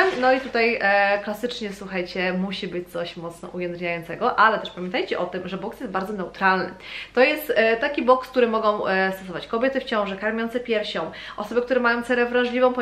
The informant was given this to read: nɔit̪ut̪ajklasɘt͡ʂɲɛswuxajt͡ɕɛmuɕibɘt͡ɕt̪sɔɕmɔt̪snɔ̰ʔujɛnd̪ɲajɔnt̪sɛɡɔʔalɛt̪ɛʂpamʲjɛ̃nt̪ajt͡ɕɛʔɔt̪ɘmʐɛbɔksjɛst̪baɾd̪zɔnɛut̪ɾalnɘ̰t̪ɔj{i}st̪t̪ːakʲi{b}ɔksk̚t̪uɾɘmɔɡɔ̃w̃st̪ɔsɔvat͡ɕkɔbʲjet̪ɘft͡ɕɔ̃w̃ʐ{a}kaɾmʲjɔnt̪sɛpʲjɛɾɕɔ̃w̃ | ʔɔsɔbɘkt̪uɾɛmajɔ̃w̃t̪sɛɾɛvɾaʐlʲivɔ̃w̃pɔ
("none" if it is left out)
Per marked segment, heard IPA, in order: ɛ, b, ɛ

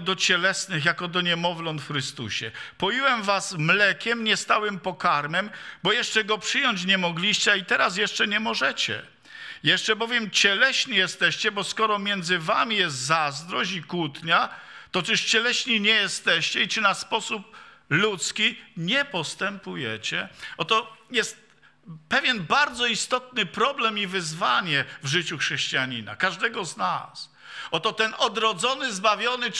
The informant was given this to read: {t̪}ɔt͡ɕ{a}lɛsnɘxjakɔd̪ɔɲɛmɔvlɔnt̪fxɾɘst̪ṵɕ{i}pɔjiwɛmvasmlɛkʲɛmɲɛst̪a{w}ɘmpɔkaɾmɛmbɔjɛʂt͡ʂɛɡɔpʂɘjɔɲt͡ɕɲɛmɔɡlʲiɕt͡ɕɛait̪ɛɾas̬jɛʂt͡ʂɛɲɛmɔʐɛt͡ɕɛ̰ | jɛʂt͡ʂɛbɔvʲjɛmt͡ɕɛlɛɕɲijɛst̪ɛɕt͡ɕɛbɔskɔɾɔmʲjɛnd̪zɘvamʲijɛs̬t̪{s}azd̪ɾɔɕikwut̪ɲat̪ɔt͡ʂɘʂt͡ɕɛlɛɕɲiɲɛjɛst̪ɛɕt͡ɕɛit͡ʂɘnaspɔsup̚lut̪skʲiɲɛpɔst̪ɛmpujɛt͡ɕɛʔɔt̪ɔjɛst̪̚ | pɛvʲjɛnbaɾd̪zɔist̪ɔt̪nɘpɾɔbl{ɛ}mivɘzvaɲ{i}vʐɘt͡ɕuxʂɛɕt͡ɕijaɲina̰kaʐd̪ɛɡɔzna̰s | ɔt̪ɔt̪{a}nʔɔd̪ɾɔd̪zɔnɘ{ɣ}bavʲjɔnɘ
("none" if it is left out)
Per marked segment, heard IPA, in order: d̪, ɛ, ɛ, w, z, ɛ, ɛ, ɛ, z

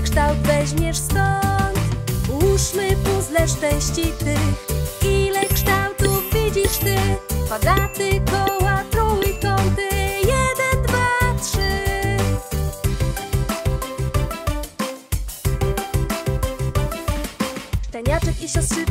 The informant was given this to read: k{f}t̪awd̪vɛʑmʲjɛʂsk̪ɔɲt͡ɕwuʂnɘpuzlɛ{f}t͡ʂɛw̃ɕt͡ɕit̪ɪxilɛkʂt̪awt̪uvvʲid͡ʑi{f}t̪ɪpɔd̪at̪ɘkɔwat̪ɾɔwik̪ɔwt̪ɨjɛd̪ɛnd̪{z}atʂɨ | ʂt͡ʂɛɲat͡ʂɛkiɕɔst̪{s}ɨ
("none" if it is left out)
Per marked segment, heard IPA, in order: ʂ, ʂ, ʂ, v, ʂ

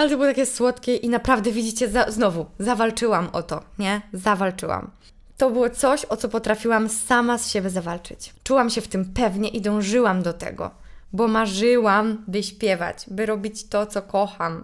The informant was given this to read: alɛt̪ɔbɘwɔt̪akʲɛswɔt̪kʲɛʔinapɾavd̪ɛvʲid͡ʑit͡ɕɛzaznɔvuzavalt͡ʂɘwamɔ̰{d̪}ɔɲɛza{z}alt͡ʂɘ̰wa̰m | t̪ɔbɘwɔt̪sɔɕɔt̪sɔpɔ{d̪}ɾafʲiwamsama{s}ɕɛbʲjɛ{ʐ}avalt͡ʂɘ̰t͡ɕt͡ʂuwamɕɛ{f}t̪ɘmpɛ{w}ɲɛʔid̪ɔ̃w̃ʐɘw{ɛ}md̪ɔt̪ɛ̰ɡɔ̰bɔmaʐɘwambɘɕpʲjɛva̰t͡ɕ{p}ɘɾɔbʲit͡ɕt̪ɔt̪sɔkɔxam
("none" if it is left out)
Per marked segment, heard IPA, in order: t̪, v, t̪, s, z, f, v, a, b

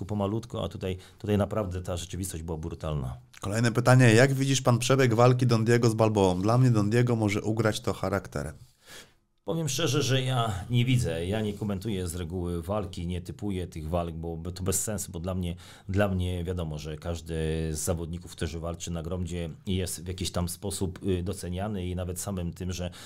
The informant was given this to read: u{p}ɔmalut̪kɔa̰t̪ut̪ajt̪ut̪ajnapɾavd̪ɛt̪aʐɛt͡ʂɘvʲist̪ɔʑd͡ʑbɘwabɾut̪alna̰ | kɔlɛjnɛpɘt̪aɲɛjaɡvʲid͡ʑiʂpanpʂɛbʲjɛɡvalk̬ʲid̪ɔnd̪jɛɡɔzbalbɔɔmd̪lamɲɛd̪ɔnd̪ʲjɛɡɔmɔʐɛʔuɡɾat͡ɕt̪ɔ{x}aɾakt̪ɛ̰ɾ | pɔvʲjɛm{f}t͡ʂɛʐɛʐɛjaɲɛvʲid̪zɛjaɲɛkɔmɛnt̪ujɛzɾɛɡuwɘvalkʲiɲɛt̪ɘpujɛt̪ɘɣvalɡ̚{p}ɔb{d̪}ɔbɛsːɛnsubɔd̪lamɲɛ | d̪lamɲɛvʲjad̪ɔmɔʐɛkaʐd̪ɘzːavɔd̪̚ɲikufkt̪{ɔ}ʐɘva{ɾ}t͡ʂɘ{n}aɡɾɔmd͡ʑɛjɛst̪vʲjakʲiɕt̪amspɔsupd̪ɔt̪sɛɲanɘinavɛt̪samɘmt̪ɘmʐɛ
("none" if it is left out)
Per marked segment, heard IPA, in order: p, x, ʂ, b, t̪, u, l, n

